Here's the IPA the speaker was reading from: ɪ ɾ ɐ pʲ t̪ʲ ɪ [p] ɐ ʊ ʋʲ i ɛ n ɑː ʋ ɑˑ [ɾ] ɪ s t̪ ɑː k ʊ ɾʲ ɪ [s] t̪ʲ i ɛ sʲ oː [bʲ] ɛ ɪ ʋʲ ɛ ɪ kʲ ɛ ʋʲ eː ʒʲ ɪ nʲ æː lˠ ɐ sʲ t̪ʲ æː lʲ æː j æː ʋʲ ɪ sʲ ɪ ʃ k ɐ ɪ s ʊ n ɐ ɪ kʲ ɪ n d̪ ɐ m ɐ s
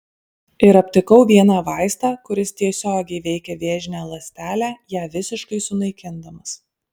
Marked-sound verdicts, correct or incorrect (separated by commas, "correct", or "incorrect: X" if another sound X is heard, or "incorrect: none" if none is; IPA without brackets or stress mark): incorrect: k, incorrect: none, correct, incorrect: ɡʲ